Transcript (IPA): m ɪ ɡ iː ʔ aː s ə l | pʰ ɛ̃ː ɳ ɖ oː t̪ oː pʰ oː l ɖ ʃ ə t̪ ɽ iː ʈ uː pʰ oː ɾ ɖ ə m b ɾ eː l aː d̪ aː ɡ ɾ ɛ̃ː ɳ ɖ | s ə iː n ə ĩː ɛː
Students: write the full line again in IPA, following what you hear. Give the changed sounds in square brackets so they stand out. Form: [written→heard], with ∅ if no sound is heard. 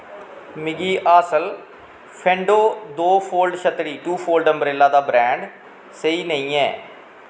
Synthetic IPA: m ɪ ɡ iː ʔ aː s ə l | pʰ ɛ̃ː ɳ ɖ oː [t̪→d̪] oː pʰ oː l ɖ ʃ ə t̪ ɽ iː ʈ uː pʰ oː [ɾ→l] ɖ ə m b ɾ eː l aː d̪ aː [ɡ→b] ɾ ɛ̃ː ɳ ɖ | s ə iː n ə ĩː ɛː